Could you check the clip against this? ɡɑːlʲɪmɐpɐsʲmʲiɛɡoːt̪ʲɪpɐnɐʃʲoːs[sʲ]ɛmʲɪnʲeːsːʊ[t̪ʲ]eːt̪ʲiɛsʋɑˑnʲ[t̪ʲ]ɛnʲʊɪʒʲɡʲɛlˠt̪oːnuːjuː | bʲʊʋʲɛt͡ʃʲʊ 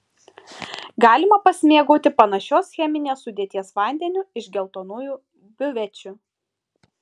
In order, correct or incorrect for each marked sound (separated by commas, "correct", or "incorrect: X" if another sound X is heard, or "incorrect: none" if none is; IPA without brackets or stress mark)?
incorrect: xʲ, incorrect: d̪ʲ, incorrect: d̪ʲ